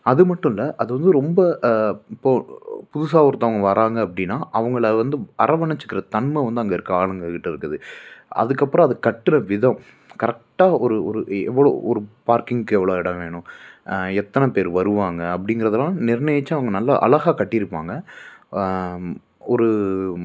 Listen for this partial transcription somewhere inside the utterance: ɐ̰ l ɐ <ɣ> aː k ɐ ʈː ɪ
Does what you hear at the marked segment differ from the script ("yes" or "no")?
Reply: no